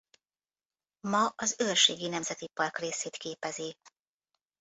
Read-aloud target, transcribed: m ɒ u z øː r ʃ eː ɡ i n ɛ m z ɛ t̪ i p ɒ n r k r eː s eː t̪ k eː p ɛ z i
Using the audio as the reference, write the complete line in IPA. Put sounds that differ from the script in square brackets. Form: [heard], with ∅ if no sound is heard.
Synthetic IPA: m ɒ [ɒ] z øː r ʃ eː ɡ i n ɛ m z ɛ t̪ i p ɒ [∅] r k r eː s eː t̪ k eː p ɛ z i